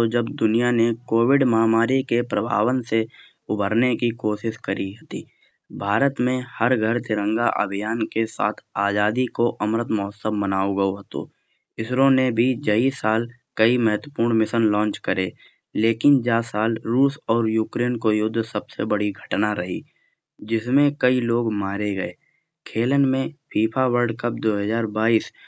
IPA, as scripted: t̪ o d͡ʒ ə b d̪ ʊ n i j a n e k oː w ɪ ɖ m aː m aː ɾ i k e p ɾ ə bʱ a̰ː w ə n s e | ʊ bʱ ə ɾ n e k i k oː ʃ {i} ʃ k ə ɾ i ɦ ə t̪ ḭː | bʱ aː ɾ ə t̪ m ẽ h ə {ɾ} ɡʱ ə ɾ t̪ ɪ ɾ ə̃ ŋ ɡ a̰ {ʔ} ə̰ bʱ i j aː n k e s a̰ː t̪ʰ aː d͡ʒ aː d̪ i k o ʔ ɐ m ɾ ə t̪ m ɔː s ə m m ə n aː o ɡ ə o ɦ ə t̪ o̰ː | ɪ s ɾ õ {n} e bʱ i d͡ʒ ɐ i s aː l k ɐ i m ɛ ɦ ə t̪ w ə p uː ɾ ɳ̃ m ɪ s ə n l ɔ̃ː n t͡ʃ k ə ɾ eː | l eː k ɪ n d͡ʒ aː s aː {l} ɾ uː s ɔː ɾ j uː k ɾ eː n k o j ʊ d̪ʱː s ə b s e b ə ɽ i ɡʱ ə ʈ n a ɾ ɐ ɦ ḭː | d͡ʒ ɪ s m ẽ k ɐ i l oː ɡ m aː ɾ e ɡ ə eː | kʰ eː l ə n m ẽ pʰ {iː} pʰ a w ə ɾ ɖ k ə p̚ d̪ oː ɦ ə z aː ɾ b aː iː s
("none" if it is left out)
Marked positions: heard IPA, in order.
ɪ, ɾ, ʔ, n, l, iː

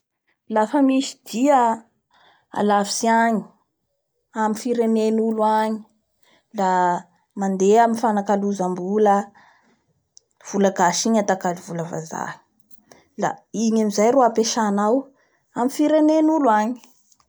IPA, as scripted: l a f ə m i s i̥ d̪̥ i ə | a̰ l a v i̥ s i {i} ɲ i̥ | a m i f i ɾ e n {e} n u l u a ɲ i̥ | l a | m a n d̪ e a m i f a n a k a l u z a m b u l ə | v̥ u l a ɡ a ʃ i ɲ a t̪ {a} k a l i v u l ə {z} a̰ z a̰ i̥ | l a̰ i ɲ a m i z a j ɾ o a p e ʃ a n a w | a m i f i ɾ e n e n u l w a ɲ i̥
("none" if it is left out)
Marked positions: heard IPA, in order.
a, e, a, v

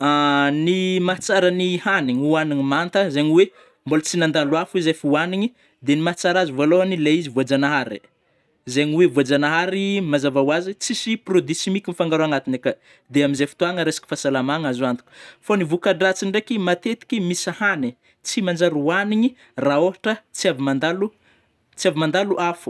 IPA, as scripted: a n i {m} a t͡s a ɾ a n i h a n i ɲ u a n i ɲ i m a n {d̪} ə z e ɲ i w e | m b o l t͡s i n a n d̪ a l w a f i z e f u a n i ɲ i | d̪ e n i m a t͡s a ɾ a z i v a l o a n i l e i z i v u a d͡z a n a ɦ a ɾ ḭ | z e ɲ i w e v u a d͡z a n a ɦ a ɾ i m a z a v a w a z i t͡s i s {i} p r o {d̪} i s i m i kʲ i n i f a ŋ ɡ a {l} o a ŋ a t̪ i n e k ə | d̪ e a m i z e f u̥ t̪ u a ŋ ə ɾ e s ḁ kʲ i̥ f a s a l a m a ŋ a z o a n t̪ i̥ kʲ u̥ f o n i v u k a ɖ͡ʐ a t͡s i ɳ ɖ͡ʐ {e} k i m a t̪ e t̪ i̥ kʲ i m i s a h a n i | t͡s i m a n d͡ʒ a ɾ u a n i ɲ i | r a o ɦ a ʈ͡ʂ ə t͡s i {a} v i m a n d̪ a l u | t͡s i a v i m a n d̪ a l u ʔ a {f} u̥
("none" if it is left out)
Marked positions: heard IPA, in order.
m, t̪, i, d̪, ɾ, e, a, f

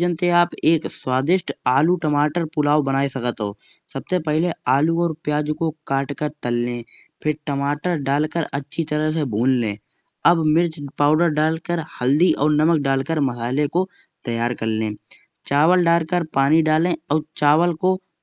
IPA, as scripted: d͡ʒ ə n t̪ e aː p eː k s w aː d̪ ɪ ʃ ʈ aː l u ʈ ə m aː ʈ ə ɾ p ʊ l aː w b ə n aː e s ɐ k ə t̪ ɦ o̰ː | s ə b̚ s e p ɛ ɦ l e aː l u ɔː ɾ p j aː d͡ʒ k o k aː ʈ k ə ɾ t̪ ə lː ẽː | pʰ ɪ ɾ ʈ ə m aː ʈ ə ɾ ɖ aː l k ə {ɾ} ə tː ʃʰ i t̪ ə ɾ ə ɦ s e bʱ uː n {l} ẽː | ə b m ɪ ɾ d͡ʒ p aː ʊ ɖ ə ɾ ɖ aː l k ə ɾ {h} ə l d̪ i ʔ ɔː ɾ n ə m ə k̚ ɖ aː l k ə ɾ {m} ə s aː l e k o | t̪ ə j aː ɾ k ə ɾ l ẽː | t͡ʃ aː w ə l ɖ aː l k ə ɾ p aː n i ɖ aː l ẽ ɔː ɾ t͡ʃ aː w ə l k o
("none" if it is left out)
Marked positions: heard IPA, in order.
ɾ, l, h, m

